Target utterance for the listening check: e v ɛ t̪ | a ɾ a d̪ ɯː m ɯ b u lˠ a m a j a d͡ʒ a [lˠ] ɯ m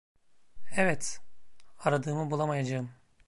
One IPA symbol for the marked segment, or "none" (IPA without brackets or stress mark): none